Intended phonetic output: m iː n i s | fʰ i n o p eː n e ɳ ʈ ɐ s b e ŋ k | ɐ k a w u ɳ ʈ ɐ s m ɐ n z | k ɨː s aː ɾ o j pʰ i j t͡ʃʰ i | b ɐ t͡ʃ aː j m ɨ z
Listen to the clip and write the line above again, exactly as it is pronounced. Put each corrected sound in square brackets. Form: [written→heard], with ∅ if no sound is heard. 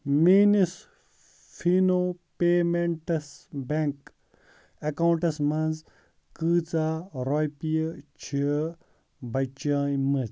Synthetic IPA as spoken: m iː n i s | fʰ i n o p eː [n→m] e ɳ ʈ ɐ s b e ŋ k | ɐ k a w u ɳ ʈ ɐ s m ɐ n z | k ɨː [s→t͡s] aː ɾ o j [pʰ→p] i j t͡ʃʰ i | b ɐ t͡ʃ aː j m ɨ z